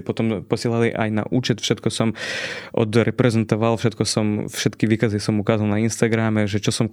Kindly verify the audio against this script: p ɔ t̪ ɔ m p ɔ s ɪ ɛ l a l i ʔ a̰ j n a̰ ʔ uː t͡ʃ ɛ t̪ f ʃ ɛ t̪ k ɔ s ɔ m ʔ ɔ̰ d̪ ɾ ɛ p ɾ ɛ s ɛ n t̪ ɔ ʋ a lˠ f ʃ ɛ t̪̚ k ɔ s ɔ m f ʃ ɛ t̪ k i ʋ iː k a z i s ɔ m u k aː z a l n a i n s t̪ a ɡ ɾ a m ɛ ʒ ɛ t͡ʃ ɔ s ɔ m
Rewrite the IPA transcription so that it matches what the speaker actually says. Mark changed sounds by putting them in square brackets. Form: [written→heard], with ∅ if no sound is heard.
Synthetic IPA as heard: p ɔ t̪ ɔ m p ɔ s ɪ ɛ l a l i ʔ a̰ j n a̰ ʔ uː t͡ʃ ɛ t̪ f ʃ ɛ t̪ k ɔ s ɔ m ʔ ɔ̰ d̪ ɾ ɛ p ɾ ɛ [s→z] ɛ n t̪ ɔ ʋ a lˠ f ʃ ɛ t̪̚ k ɔ s ɔ m f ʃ ɛ t̪ k i ʋ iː k a z i s ɔ m u k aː z a l n a i n s t̪ a ɡ ɾ a m ɛ ʒ ɛ t͡ʃ ɔ s ɔ m